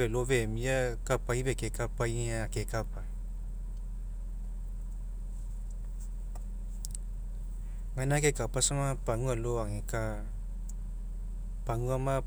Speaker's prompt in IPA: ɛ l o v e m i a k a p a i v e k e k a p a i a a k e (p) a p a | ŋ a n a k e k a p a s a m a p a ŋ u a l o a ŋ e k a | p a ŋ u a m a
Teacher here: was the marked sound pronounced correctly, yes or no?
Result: no